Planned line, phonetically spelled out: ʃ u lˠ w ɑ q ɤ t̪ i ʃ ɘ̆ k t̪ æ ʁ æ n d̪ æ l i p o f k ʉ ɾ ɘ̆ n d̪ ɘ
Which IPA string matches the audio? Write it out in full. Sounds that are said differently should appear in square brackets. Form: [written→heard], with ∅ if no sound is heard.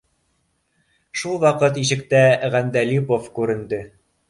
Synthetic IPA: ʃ u lˠ w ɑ q ɤ t̪ i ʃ ɘ̆ k t̪ æ ʁ æ n d̪ æ l i p o f k ʉ ɾ ɘ̆ n d̪ ɘ